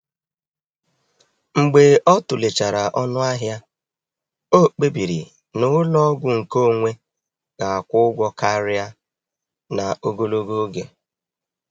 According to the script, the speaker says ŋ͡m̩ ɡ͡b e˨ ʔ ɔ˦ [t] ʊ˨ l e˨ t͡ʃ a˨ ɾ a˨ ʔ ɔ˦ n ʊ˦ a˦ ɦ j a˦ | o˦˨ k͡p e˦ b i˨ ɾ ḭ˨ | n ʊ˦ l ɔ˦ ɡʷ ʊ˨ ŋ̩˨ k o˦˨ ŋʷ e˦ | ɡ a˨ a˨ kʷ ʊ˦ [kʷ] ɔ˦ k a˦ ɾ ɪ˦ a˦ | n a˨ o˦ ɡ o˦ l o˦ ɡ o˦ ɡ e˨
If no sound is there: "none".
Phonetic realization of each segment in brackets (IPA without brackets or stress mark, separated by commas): t, ɡʷ